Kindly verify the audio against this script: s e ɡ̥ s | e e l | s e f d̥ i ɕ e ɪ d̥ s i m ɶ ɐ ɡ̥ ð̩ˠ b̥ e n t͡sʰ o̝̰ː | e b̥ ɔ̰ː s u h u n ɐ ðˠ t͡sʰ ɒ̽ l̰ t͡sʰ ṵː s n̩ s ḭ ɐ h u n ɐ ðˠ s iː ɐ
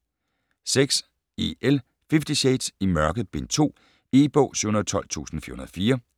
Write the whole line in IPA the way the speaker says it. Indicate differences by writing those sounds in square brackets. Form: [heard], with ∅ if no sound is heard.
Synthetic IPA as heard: s e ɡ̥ s | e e l | [f] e f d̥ i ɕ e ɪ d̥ s i m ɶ ɐ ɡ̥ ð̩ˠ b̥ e n t͡sʰ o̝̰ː | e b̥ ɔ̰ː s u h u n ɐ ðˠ t͡sʰ ɒ̽ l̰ t͡sʰ ṵː s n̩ [f] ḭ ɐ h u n ɐ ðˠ [f] iː ɐ